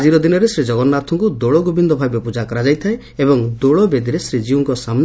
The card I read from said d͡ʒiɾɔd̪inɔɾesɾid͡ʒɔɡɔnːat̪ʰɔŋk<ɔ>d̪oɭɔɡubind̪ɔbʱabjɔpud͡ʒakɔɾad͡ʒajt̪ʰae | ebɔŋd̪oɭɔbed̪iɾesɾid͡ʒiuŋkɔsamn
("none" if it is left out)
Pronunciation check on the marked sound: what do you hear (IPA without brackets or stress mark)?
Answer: u